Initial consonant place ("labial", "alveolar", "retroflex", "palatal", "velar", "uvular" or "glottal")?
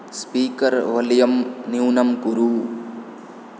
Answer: alveolar